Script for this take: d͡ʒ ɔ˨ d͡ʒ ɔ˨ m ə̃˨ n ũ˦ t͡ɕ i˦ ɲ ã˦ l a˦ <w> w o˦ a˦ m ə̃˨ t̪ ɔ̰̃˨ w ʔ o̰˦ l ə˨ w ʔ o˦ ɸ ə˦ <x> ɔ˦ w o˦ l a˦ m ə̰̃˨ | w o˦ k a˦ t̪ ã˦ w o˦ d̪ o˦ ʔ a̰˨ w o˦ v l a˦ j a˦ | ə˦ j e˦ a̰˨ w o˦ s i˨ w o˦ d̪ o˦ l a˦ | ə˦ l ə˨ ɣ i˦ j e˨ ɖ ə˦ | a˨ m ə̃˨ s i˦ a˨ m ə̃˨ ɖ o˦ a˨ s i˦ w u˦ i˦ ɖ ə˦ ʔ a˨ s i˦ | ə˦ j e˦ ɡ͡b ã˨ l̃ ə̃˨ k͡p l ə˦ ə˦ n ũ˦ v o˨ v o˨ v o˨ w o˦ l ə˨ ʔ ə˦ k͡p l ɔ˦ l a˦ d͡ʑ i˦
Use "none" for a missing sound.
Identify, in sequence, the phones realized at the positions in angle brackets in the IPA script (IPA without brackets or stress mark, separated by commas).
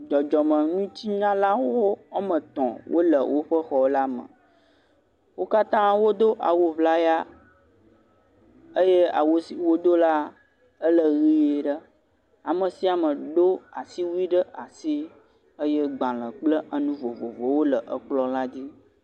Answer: w, x